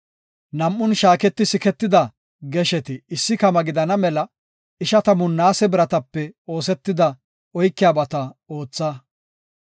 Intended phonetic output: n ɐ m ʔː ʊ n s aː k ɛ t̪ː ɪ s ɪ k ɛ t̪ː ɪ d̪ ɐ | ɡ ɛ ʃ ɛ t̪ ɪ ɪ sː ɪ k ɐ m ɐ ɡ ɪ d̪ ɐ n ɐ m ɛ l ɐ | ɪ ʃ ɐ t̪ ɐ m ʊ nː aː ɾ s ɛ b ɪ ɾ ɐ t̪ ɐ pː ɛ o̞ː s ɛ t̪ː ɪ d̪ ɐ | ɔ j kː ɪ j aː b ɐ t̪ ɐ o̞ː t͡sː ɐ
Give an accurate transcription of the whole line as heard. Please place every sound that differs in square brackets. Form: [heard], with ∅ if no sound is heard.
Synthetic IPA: n ɐ m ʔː ʊ n [ʃ] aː k ɛ t̪ː ɪ s ɪ k ɛ t̪ː ɪ d̪ ɐ | ɡ ɛ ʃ ɛ t̪ ɪ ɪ sː ɪ k ɐ m ɐ ɡ ɪ d̪ ɐ n ɐ m ɛ l ɐ | ɪ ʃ ɐ t̪ ɐ m ʊ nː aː [∅] s ɛ b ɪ ɾ ɐ t̪ ɐ pː ɛ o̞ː s ɛ t̪ː ɪ d̪ ɐ | ɔ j kː ɪ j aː b ɐ t̪ ɐ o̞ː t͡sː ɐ